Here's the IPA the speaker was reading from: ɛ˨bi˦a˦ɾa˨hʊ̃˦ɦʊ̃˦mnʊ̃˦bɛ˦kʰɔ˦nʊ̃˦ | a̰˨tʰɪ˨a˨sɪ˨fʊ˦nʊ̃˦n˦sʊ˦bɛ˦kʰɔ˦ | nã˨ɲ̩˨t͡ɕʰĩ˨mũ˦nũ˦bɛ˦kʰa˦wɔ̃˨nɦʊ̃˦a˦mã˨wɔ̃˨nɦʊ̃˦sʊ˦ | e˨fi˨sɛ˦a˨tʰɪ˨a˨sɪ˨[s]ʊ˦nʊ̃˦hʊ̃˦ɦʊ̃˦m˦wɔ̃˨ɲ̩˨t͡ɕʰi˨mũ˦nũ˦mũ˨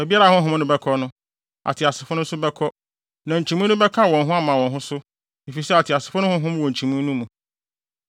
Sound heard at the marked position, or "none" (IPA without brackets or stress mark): f